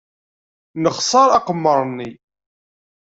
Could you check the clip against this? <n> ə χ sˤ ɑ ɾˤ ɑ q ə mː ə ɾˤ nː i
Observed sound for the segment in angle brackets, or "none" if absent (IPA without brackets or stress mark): n